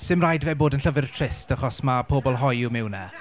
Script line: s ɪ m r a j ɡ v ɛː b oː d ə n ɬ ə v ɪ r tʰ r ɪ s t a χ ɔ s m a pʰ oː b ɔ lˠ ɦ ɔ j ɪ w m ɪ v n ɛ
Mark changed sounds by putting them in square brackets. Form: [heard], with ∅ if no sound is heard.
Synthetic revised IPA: s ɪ m r a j [d] v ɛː b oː d ə n ɬ ə v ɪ r tʰ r ɪ s t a χ ɔ s m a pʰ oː b ɔ lˠ ɦ ɔ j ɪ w m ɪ [w] n ɛ